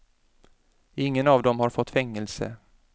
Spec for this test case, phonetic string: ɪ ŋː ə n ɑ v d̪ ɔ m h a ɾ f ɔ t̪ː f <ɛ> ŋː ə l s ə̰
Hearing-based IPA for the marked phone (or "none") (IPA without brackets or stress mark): ɛ